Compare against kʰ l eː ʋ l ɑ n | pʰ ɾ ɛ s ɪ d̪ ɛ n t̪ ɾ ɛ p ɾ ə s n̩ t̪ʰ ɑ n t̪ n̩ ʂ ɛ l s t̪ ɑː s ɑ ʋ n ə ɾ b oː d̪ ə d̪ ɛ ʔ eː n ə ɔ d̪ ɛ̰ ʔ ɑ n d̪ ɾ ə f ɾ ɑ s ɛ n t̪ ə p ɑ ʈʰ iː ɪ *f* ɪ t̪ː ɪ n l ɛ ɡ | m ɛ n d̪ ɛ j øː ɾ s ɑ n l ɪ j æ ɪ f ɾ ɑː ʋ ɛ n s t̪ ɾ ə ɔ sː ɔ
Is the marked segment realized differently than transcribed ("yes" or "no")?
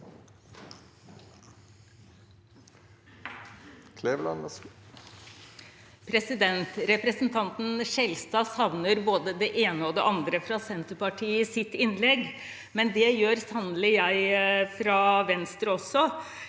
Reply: yes